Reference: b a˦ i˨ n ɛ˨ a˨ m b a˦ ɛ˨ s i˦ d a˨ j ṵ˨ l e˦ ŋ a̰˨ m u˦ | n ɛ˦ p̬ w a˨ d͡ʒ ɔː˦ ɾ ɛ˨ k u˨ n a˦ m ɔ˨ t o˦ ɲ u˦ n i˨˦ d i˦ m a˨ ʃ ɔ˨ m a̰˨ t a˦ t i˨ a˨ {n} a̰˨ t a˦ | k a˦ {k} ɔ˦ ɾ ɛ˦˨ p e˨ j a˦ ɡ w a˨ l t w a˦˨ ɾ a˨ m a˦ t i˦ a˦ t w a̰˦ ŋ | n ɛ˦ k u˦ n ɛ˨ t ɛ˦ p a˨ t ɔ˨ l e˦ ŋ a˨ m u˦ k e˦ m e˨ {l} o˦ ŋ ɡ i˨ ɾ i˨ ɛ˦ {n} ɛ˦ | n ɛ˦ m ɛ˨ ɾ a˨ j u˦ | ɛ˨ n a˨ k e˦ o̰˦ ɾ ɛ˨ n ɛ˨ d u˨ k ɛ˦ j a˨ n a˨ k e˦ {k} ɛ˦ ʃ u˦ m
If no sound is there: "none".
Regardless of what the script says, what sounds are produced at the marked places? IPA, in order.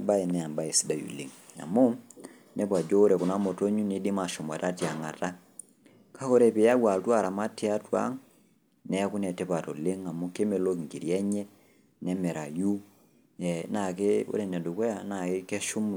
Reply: ŋ, k, l, ɲ, k

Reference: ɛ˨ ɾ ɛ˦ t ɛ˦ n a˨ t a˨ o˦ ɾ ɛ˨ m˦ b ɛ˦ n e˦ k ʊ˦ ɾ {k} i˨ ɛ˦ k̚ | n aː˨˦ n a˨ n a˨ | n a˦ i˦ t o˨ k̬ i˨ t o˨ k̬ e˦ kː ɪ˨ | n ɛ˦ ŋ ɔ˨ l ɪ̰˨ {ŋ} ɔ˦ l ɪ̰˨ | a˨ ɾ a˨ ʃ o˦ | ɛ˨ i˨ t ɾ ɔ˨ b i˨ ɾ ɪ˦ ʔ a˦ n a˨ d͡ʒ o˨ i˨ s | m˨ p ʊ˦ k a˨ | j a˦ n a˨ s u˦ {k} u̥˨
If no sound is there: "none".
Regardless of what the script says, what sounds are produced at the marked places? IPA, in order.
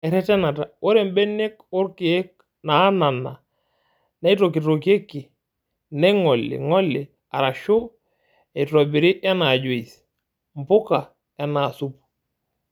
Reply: k, ŋ, p

